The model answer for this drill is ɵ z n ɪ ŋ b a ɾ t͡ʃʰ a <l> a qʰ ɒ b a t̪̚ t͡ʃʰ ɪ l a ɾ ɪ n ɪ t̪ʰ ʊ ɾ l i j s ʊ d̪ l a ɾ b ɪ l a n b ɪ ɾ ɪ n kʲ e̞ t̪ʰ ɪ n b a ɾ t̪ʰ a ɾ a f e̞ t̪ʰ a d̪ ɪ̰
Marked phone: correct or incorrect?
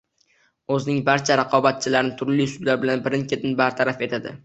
incorrect: ɾ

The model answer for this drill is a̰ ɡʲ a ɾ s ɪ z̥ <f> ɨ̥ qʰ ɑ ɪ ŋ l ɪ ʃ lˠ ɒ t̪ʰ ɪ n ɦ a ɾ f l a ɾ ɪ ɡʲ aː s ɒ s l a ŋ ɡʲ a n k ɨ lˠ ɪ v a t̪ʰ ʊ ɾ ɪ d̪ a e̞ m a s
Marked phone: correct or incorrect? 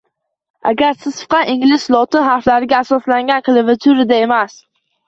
correct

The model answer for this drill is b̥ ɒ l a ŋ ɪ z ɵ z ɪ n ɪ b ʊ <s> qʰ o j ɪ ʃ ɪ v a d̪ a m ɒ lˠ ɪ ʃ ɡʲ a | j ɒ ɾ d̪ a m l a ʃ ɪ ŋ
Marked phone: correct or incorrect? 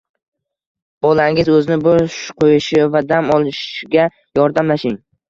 incorrect: ʃ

